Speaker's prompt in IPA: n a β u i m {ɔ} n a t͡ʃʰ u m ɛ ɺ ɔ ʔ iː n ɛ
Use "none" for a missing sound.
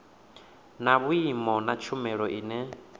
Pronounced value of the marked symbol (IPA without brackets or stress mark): ɔ